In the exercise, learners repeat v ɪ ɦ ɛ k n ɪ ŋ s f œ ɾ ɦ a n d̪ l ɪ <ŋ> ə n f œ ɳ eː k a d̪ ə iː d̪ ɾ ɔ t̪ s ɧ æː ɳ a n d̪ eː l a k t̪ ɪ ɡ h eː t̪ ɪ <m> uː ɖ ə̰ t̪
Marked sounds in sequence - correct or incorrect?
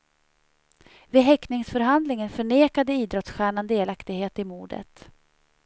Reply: correct, correct

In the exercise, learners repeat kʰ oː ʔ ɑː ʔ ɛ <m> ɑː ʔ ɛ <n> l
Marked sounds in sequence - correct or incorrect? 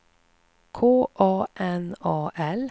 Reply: incorrect, incorrect

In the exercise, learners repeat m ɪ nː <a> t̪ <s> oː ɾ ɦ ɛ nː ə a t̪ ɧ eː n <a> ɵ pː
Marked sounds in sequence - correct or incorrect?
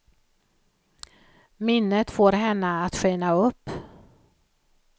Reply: incorrect, incorrect, correct

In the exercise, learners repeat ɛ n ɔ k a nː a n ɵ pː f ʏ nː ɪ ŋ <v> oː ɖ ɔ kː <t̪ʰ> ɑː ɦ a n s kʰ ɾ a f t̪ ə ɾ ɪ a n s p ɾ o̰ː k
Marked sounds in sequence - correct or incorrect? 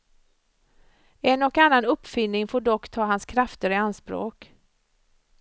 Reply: incorrect, correct

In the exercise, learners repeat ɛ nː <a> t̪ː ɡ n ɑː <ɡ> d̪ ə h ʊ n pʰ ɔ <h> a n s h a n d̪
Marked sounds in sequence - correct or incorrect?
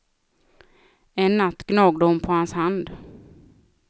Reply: correct, correct, correct

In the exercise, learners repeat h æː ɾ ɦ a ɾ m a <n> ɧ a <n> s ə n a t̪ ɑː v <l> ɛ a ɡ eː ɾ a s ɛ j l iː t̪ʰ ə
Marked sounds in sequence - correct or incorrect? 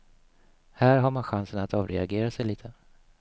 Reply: correct, correct, incorrect

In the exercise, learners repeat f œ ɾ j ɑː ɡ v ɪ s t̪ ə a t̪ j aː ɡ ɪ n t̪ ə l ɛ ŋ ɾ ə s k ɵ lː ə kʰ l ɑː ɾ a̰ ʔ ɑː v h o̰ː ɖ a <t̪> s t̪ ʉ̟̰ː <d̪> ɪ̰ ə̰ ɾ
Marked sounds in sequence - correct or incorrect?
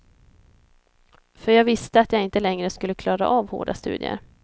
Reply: incorrect, correct

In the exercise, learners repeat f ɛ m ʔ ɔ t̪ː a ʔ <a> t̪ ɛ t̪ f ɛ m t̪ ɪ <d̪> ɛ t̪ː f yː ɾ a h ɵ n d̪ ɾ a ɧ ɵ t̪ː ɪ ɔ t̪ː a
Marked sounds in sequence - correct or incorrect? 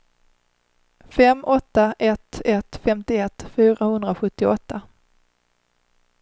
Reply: incorrect, incorrect

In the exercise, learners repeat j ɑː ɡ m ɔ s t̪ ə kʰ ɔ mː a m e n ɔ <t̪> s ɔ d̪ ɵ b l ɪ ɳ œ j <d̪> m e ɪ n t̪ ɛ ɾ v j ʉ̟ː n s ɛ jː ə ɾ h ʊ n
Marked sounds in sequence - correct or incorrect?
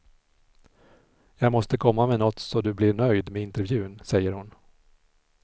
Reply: correct, correct

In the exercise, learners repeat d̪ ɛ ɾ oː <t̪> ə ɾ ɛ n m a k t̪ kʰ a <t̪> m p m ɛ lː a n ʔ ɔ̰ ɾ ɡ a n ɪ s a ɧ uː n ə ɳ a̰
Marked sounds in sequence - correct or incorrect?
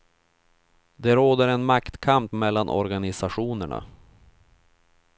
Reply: incorrect, incorrect

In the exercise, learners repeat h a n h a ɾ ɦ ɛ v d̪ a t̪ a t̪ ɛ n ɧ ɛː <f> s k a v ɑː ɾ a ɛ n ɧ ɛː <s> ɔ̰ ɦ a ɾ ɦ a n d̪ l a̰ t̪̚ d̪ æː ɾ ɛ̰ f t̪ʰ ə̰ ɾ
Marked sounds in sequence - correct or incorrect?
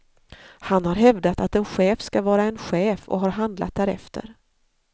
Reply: correct, incorrect

